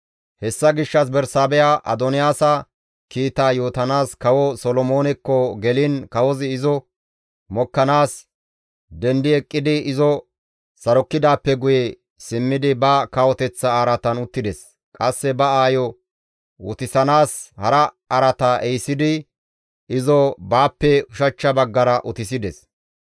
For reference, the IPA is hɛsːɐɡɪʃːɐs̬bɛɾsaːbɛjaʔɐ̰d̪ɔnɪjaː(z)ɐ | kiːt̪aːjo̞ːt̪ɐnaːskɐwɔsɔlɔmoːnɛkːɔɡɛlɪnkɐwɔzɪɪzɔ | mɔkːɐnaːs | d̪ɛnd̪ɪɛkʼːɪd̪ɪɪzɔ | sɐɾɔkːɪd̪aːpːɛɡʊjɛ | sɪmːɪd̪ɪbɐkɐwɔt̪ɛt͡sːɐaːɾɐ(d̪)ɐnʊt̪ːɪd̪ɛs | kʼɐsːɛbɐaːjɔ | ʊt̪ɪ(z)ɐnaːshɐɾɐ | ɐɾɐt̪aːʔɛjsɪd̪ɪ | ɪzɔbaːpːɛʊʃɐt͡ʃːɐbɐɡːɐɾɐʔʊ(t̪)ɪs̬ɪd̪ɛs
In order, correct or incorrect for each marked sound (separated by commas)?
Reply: incorrect, incorrect, incorrect, correct